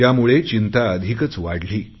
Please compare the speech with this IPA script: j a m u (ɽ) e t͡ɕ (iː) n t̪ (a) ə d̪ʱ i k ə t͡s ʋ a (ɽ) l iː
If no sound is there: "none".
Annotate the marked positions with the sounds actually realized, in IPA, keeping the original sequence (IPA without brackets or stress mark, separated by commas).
ɭ, i, a, ɽ